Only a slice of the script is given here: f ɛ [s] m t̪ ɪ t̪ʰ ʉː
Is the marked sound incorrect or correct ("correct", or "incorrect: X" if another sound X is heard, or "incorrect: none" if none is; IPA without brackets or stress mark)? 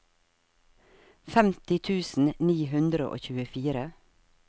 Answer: incorrect: none